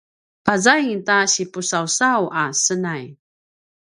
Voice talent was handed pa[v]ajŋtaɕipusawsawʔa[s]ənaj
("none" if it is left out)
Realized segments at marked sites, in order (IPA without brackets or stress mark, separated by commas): z, s